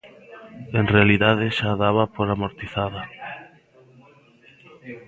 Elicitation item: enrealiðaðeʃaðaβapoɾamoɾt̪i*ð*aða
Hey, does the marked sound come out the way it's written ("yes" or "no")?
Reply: no